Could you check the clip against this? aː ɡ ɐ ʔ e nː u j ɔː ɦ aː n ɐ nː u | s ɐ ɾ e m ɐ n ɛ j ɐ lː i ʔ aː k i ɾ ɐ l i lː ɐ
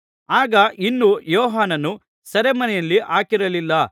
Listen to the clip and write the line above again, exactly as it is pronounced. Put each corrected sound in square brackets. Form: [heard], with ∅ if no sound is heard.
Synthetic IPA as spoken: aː ɡ ɐ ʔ [i] nː u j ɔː ɦ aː n ɐ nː u | s ɐ ɾ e m ɐ n ɛ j ɐ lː i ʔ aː k i ɾ ɐ l i lː ɐ